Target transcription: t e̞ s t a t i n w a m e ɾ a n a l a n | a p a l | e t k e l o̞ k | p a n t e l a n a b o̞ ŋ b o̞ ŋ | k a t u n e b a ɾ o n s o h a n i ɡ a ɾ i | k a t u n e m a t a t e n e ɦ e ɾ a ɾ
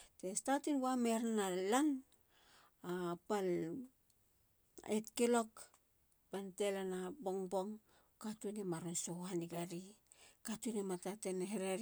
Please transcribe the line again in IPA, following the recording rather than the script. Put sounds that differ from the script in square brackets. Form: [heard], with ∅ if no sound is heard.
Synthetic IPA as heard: t e̞ s t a t i n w a m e ɾ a n a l a n | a p a l | e t k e l o̞ k | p a n t e l a n a b o̞ ŋ b o̞ ŋ | k a t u n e [m] a ɾ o n s o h a n i ɡ a ɾ i | k a t u n e m a t a t e n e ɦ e ɾ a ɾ